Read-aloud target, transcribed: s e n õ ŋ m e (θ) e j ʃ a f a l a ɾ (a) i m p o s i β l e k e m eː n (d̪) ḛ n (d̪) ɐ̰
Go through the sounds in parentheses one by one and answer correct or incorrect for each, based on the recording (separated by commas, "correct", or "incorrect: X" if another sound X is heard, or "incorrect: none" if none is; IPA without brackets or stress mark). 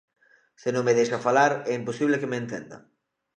incorrect: ð, incorrect: ɛ, incorrect: t̪, correct